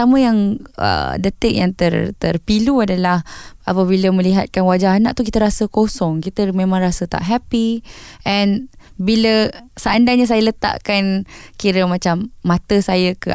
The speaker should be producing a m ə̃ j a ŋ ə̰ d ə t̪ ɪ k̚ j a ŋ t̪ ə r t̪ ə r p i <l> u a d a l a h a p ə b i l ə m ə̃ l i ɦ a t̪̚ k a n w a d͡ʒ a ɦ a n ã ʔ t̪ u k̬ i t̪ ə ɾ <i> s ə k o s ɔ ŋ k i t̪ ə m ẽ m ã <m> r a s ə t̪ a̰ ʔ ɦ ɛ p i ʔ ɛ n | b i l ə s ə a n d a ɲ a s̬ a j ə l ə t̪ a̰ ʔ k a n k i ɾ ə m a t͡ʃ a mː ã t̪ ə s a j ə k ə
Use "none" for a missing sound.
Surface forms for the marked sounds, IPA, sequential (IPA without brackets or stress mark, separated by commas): l, a, ŋ